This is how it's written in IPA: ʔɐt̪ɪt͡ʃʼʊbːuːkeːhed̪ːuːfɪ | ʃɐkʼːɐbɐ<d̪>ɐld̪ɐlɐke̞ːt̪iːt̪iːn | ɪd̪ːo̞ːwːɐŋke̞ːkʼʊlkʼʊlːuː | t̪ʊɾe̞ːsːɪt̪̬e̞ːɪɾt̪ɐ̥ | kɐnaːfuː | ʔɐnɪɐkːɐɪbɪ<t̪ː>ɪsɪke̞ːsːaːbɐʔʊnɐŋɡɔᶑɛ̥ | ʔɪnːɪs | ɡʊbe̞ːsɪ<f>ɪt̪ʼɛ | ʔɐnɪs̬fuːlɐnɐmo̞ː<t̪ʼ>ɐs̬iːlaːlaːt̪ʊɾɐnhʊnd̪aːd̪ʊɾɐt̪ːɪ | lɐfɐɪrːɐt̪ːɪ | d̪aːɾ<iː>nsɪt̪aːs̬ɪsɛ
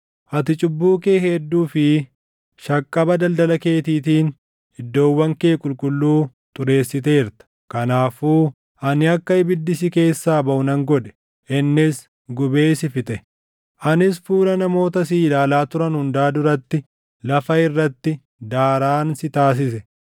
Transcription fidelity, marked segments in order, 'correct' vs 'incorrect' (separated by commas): correct, incorrect, correct, incorrect, incorrect